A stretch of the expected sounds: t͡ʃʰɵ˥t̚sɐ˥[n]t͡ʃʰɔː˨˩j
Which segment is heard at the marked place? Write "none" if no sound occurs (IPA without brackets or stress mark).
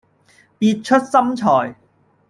m